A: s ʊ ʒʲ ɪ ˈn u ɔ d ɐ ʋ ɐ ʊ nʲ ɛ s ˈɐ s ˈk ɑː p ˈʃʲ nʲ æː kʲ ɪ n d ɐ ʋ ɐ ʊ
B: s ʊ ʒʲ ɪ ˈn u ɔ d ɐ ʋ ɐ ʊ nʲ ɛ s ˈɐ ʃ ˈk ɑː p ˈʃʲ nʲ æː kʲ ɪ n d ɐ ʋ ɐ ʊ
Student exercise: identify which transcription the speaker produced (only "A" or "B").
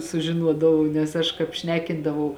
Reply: B